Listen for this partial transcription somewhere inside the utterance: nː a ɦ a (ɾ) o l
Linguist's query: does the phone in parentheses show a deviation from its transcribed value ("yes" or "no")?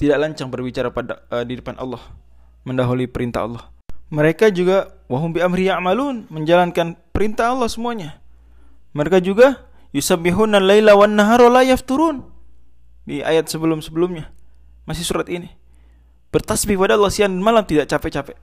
no